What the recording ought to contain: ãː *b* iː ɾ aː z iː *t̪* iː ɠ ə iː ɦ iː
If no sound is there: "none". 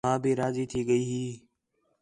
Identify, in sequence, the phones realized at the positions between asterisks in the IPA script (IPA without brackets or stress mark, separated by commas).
b, t̪ʰ